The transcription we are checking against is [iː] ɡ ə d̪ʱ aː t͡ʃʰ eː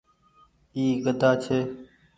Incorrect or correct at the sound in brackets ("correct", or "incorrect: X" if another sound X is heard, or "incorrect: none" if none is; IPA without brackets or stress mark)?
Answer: correct